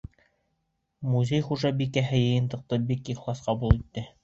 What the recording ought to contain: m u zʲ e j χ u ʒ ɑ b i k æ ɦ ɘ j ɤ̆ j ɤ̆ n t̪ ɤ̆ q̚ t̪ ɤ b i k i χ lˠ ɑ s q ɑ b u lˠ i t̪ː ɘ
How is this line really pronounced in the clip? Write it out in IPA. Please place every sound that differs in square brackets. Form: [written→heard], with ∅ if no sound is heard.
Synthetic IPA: m u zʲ e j χ u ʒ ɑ b i k æ ɦ ɘ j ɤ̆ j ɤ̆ n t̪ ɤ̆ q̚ t̪ ɤ b i k i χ lˠ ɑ s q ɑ b u lˠ i t̪ː ɘ